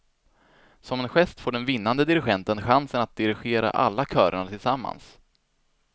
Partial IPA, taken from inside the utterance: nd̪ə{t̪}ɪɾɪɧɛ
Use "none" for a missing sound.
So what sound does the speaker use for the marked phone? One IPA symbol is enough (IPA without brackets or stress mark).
d̪